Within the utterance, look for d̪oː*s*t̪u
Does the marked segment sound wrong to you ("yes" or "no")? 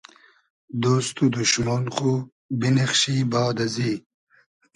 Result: no